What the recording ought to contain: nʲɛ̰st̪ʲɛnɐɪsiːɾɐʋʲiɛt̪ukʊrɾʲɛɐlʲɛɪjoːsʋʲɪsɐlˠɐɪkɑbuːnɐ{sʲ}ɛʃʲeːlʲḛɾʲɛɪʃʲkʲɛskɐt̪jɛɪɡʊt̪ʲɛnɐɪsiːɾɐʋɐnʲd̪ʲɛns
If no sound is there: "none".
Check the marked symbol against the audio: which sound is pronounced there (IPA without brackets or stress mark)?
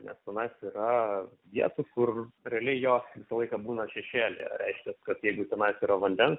ʃʲ